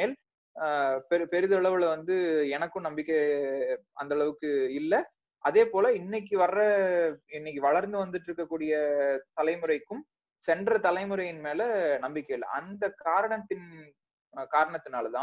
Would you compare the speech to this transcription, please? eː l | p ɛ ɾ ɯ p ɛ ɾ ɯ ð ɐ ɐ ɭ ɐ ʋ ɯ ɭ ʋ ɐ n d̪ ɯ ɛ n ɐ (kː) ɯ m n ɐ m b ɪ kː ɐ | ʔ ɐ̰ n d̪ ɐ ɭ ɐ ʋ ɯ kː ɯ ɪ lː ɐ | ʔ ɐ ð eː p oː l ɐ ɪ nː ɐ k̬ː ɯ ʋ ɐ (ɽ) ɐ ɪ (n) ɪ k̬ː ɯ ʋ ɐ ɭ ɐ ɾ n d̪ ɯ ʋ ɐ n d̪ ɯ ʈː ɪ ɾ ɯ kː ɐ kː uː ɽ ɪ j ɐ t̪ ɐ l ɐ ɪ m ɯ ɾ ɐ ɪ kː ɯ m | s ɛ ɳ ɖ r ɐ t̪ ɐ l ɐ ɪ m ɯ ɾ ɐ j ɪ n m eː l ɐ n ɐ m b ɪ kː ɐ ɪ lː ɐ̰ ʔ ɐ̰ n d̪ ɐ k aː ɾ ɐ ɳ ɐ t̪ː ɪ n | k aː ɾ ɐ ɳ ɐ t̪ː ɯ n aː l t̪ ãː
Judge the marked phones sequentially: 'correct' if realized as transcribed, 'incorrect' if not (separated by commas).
correct, incorrect, incorrect